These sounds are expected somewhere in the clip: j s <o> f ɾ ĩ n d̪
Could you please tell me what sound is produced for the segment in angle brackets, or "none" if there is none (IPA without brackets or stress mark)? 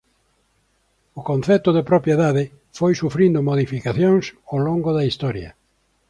u